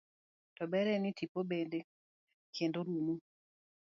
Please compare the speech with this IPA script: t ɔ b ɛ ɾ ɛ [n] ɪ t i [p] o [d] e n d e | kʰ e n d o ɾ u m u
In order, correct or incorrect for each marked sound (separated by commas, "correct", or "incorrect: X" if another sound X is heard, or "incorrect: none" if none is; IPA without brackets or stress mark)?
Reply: correct, correct, incorrect: b